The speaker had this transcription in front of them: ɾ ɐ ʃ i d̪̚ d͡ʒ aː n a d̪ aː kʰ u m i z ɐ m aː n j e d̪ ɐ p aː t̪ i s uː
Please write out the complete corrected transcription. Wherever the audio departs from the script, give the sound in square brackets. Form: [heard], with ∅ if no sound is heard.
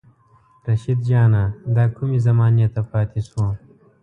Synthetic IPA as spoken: ɾ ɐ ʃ i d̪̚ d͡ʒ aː n a d̪ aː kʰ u m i z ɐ m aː n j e [t̪] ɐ p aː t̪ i s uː